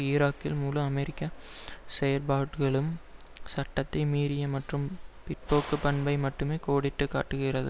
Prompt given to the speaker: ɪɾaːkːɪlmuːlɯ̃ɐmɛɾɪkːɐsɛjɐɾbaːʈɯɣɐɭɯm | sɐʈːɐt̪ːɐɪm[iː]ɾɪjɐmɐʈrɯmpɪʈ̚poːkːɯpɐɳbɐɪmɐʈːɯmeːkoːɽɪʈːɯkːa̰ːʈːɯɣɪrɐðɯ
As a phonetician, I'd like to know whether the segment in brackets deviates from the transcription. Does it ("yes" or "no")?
no